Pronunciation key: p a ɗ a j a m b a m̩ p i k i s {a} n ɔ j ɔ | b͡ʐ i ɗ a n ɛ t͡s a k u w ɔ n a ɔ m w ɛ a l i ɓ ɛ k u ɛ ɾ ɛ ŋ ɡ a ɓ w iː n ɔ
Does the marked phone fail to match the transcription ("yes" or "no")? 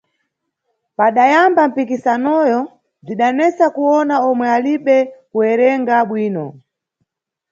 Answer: no